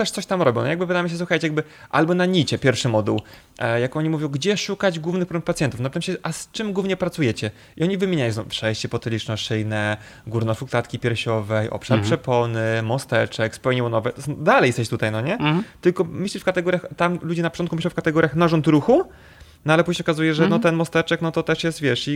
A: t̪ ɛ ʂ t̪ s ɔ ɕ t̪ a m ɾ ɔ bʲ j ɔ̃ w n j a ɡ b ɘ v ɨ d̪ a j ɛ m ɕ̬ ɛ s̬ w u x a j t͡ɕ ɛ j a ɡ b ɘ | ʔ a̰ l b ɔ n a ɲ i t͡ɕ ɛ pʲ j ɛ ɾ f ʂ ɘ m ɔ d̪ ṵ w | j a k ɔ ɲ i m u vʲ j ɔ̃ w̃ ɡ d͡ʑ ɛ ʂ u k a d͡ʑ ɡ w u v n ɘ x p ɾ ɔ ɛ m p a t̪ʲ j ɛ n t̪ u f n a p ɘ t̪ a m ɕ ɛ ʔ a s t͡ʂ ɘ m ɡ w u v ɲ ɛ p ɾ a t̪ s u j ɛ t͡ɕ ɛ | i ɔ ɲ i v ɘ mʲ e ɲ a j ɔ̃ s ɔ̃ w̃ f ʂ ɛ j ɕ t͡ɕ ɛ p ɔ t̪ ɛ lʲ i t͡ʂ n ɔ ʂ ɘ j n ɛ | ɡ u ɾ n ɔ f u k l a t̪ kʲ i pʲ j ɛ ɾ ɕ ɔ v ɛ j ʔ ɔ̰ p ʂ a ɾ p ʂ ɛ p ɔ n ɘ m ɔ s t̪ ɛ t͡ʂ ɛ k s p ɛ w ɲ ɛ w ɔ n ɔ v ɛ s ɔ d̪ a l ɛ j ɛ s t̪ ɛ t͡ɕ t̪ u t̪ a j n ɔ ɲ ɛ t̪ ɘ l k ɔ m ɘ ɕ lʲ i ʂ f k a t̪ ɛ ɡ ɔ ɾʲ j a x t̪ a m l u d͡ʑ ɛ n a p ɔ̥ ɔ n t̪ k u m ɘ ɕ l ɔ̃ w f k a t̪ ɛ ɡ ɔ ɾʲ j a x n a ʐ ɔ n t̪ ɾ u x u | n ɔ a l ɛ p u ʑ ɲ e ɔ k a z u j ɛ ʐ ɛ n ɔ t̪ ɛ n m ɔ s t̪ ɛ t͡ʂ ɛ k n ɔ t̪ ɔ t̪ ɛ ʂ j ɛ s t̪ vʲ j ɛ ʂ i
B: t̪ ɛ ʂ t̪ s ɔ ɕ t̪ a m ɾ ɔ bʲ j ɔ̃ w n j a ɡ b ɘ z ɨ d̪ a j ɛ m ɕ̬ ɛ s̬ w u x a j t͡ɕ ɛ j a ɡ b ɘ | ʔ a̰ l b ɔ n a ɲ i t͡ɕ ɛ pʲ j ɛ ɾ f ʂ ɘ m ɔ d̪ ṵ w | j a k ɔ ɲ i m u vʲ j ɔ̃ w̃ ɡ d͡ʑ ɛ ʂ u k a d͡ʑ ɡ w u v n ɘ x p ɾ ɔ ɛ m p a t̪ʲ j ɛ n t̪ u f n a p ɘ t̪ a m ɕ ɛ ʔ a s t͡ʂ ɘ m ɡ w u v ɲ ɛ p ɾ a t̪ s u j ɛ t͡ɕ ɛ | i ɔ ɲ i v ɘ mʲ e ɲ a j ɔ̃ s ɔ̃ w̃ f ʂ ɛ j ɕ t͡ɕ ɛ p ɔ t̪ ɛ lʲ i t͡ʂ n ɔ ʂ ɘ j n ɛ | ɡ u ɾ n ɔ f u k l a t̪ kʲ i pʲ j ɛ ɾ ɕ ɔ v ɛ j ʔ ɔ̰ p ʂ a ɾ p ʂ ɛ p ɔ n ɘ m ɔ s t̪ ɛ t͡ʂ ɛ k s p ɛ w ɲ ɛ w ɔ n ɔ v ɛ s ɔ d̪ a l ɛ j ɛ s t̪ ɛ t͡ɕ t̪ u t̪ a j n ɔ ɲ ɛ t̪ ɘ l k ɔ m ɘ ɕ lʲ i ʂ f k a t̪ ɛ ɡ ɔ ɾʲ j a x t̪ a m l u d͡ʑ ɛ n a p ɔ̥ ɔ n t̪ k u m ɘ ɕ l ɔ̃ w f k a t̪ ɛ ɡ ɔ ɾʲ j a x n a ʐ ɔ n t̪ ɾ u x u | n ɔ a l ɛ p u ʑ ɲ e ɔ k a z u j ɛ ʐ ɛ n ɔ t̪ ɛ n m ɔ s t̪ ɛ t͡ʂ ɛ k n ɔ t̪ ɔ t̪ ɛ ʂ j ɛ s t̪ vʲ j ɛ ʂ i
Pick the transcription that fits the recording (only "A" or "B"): A